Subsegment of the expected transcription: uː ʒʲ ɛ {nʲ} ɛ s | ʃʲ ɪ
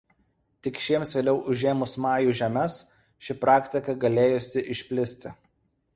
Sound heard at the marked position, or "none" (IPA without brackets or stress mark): mʲ